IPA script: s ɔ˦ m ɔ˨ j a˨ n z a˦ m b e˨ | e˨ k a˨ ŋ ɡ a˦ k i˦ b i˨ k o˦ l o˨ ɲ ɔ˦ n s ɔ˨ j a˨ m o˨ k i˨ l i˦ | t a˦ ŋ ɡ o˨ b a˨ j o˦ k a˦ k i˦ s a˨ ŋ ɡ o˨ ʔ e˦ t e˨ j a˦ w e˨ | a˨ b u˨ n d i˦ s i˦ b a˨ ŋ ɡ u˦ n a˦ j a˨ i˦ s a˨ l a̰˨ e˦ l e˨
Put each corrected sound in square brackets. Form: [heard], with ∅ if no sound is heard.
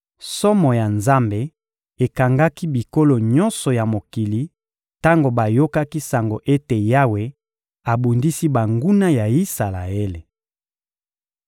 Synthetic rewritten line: s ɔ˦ m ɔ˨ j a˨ n z a˦ m b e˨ | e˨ k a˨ ŋ ɡ a˦ k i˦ b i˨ k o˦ l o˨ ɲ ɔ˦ n s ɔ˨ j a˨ m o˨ k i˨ l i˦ | t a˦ ŋ ɡ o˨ b a˨ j o˦ k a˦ k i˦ s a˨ ŋ ɡ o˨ ʔ e˦ t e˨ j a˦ w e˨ | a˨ b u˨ n d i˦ s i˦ b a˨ ŋ ɡ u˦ n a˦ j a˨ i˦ s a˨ l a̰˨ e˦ l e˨